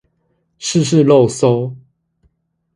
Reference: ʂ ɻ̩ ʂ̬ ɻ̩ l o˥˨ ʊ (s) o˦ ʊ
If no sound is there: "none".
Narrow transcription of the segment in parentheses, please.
s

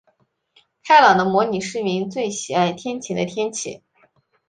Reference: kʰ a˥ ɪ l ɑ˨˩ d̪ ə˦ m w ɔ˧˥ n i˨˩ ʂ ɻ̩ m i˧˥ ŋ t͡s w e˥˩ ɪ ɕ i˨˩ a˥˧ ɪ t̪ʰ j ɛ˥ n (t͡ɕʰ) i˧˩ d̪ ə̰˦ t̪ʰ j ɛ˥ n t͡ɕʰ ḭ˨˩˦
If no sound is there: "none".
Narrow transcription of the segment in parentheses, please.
t͡ɕʰ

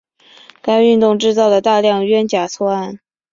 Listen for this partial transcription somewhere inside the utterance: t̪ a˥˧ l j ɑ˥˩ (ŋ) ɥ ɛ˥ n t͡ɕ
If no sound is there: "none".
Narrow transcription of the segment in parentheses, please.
ŋ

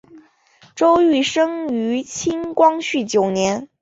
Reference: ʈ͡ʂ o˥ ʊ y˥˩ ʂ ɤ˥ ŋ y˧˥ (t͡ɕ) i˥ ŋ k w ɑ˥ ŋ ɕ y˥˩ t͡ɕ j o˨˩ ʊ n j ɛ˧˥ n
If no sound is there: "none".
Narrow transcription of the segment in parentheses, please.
t͡ɕʰ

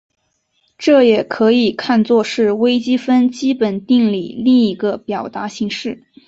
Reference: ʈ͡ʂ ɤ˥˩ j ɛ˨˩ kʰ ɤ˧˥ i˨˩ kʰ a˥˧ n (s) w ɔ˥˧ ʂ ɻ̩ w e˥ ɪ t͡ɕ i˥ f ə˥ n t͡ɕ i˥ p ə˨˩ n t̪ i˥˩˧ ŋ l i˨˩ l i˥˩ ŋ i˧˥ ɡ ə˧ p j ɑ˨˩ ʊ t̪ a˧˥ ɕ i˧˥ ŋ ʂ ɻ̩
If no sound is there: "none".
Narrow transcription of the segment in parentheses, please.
t͡s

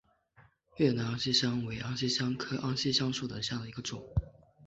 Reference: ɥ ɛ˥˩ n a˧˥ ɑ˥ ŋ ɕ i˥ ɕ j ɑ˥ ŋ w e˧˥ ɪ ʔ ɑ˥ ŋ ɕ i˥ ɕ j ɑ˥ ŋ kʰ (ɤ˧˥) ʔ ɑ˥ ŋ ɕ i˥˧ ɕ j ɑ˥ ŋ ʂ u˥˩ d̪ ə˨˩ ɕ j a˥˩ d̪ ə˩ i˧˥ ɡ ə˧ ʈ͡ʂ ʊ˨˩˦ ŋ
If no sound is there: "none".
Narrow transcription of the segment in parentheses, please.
ɤ˥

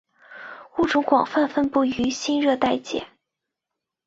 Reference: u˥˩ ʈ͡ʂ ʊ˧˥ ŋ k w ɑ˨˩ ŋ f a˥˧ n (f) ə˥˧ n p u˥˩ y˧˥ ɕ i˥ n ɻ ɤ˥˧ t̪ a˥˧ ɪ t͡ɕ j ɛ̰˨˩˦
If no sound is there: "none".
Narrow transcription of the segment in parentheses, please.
f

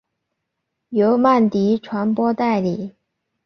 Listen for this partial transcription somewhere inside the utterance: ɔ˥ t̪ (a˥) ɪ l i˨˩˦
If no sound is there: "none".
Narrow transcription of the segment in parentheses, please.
a˥˩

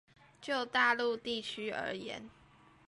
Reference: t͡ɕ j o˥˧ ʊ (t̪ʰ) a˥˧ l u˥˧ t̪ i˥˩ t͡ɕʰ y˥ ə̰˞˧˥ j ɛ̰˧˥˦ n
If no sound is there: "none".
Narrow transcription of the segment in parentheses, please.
t̪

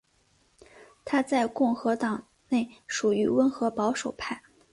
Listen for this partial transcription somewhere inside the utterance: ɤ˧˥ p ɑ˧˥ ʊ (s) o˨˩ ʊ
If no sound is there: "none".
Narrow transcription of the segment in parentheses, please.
ʂ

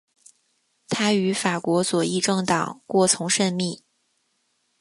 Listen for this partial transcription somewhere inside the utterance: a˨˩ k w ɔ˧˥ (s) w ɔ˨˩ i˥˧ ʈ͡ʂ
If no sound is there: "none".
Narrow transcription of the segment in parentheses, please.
s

